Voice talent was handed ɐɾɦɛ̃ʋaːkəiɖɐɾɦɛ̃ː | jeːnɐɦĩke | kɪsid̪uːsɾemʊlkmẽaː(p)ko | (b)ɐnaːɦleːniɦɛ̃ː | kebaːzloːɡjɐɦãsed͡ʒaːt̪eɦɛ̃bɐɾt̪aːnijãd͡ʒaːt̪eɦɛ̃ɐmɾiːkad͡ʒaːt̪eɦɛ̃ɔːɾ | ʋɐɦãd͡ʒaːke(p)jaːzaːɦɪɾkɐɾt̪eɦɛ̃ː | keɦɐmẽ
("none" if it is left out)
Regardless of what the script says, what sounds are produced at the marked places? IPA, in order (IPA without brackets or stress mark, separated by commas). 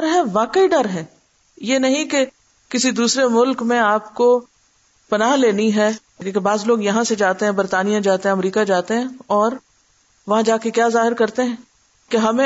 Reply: p, p, k